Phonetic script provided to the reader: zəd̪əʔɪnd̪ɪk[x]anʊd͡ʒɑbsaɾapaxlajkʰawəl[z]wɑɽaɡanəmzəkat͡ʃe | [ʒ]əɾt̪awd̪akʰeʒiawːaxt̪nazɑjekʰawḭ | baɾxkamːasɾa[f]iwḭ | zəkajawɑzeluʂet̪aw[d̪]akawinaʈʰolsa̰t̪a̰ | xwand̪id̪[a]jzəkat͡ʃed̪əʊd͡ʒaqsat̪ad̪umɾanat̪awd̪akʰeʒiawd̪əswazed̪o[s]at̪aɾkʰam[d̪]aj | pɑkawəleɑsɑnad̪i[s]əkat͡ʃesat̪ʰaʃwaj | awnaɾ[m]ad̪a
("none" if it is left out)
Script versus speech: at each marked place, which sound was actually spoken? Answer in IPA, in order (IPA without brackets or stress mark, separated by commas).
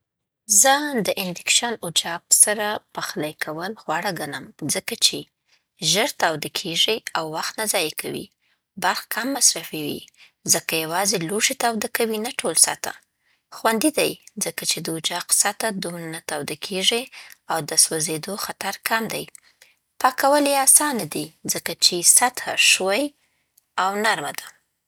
ʃ, ɣ, ʒ, f, d̪, a, x, d̪, z, m